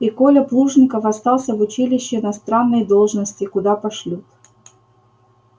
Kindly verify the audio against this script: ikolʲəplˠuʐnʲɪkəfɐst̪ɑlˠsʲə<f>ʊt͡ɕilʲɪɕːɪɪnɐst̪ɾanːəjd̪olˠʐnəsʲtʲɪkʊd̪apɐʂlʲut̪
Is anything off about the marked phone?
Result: yes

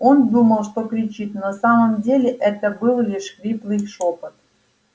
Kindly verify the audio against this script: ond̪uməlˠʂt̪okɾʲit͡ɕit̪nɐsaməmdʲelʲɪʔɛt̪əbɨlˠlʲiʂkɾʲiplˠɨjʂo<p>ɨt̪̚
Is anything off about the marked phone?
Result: no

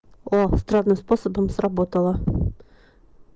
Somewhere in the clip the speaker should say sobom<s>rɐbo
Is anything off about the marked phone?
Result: no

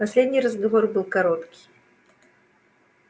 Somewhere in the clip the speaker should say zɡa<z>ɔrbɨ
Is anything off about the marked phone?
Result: yes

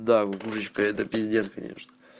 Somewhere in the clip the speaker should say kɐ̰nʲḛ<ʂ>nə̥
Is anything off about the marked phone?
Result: no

